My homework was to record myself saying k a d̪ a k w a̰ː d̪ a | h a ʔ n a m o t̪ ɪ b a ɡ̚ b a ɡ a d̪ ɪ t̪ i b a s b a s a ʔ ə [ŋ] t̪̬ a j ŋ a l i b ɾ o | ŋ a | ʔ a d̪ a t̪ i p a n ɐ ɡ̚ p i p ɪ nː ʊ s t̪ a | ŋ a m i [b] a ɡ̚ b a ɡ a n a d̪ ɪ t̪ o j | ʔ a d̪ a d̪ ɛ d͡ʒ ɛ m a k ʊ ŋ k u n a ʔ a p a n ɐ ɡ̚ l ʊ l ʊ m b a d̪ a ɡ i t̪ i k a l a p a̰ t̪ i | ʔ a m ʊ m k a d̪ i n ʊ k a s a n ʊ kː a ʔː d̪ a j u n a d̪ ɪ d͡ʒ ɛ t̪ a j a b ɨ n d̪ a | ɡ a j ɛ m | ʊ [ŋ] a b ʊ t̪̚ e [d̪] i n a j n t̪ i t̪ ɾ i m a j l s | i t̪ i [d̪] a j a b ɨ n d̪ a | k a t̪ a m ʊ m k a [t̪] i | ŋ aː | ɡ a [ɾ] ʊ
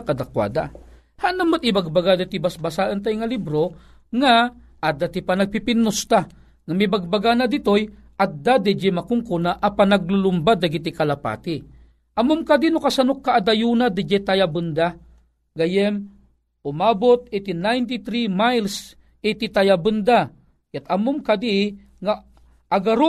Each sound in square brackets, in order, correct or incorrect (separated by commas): incorrect, correct, incorrect, incorrect, incorrect, incorrect, correct